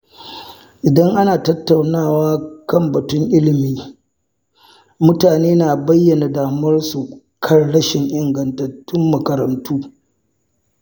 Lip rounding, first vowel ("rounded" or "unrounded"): unrounded